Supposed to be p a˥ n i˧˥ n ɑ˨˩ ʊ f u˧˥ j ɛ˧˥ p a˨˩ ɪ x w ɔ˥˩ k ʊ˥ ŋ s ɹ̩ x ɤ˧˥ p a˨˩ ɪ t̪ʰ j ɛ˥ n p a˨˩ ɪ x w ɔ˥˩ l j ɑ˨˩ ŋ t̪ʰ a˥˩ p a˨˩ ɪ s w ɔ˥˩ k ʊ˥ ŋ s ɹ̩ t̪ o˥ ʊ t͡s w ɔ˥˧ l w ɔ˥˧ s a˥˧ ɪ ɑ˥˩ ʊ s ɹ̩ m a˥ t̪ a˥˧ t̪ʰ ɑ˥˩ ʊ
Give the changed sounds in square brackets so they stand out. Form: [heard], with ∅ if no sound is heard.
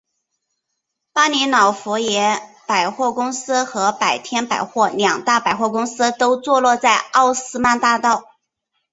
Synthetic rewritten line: p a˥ n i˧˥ n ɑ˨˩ ʊ f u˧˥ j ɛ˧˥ p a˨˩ ɪ x w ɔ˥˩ k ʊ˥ ŋ s ɹ̩ x ɤ˧˥ p a˨˩ ɪ t̪ʰ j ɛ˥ n p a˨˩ ɪ x w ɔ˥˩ l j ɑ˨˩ ŋ [t̪] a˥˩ p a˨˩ ɪ [x] w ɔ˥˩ k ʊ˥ ŋ s ɹ̩ t̪ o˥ ʊ t͡s w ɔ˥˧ l w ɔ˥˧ [t͡s] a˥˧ ɪ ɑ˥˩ ʊ s ɹ̩ m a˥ t̪ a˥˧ [t̪] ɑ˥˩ ʊ